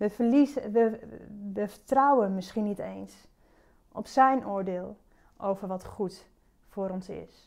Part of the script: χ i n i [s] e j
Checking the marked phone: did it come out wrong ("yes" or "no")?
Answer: yes